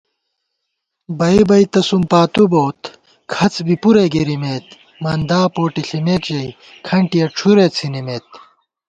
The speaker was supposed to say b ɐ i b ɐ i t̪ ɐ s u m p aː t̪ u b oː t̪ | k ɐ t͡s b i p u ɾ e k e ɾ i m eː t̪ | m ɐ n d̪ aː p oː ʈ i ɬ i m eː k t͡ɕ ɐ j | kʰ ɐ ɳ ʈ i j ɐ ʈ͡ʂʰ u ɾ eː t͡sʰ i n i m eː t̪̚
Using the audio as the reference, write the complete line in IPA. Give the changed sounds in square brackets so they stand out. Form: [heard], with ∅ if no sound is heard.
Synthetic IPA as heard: b ɐ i b ɐ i t̪ ɐ s u m p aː t̪ u b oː t̪ | [kʰ] ɐ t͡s b i p u ɾ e [ɡ] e ɾ i m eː t̪ | m ɐ n d̪ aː p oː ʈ i ɬ i m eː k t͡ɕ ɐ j | kʰ ɐ ɳ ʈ i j ɐ ʈ͡ʂʰ u ɾ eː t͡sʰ i n i m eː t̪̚